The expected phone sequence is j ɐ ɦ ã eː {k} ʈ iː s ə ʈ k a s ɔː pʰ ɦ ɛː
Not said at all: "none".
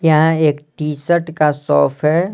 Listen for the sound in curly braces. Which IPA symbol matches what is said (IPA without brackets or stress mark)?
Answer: k